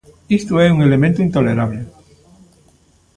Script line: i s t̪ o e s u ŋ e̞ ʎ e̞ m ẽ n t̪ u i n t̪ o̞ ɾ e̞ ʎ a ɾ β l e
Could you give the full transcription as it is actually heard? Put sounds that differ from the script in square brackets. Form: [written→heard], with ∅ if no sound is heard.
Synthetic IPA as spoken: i s t̪ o e s u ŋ e̞ [ʎ→l] e̞ m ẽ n t̪ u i n t̪ o̞ [ɾ→l] e̞ [ʎ→ɾ] a [ɾ→∅] β l e

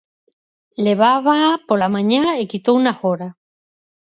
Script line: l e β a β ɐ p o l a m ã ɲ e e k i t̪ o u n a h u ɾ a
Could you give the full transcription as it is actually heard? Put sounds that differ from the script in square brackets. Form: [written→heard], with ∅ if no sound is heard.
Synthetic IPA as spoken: l e β a β [ɐ→a] p o l a m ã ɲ [e→a] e k i t̪ o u n a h [u→o] ɾ a

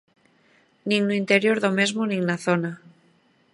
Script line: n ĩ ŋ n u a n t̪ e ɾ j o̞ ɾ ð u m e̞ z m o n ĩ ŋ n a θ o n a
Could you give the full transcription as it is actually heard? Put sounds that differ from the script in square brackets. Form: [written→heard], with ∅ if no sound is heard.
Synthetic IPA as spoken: n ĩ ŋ n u [a→i] n t̪ e ɾ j o̞ ɾ ð [u→o] m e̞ z m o n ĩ ŋ n a θ o n a

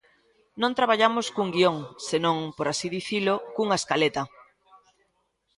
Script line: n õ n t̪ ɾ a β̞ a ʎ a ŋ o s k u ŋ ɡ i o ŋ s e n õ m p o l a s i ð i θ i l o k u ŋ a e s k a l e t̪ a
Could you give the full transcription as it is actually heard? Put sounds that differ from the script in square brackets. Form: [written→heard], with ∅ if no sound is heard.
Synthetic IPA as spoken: n õ n t̪ ɾ a β̞ a ʎ a [ŋ→m] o s k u ŋ ɡ i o ŋ s e n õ [m→ŋ] p o [l→ɾ] a s i ð i θ i l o k u ŋ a e s k a l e t̪ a

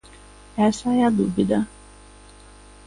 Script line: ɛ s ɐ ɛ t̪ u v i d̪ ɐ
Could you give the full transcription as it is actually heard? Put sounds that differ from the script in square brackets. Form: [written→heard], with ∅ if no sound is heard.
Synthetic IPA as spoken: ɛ s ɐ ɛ [t̪→d̪] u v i d̪ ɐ

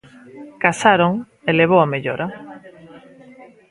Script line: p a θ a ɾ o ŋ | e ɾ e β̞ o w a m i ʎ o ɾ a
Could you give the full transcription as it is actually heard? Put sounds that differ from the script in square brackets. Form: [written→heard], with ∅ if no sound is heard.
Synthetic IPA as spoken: [p→k] a [θ→s] a ɾ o ŋ | e [ɾ→l] e β̞ o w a m [i→e] ʎ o ɾ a

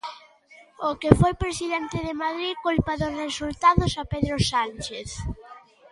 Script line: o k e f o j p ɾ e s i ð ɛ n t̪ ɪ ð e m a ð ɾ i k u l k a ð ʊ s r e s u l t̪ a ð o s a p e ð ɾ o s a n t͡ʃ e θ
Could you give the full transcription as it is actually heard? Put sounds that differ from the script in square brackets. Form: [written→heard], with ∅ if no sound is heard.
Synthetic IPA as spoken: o k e f o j p ɾ e s i ð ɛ n t̪ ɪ ð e m a ð ɾ i k u l [k→p] a ð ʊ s r e s u l t̪ a ð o s a p e ð ɾ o s a n t͡ʃ e θ

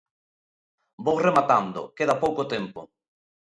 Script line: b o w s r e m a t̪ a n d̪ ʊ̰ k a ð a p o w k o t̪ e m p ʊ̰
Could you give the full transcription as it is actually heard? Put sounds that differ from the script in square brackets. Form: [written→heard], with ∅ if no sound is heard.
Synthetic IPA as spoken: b o w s r e m a t̪ a n d̪ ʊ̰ k [a→e] ð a p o w k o t̪ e m p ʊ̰

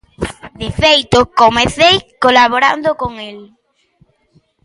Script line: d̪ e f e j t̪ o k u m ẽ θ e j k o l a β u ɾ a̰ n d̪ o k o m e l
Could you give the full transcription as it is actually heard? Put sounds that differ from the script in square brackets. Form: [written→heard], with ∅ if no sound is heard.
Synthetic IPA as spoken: d̪ e f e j t̪ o k [u→o] m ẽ θ e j k o l a β [u→o] ɾ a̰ n d̪ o k o [m→ŋ] e l

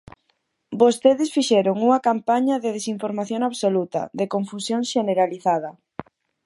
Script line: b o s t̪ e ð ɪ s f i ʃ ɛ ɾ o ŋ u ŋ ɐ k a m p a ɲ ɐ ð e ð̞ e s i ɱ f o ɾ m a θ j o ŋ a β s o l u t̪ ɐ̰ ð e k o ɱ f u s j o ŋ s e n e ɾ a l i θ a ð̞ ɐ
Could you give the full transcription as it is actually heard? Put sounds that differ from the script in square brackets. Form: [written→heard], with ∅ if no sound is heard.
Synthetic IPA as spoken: b o s t̪ e ð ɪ s f i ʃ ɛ ɾ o ŋ u ŋ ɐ k a m p a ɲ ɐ ð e ð̞ e s i ɱ f o ɾ m a θ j o ŋ a β s o l u t̪ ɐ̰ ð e k o ɱ f u s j o ŋ [s→ʃ] e n e ɾ a l i θ a ð̞ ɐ

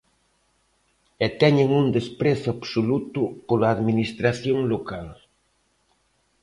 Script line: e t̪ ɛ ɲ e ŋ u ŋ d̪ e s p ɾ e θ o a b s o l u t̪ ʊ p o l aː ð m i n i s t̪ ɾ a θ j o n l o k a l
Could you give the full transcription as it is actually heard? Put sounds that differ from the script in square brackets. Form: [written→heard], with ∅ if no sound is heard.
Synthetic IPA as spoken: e t̪ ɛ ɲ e ŋ u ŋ d̪ e s p ɾ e θ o a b s o l u t̪ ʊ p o l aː ð m i n i s t̪ ɾ a θ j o [n→ŋ] l o k a l

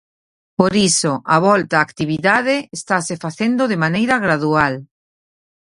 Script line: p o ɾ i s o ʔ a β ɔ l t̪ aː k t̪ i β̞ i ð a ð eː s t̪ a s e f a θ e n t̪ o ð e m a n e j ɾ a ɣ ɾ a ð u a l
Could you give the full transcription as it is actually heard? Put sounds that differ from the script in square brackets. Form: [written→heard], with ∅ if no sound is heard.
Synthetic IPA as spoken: p o ɾ i s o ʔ a β ɔ l t̪ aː k t̪ i β̞ i ð a ð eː s t̪ a s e f a θ e n [t̪→d̪] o ð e m a n e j ɾ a ɣ ɾ a ð u a l

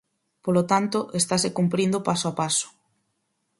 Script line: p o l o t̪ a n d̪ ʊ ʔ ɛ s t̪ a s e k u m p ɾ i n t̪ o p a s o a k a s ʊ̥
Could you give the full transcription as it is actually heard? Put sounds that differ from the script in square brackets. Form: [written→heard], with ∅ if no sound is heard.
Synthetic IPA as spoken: p o l o t̪ a n [d̪→t̪] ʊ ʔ [ɛ→e] s t̪ a s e k u m p ɾ i n [t̪→d̪] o p a s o a [k→p] a s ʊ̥

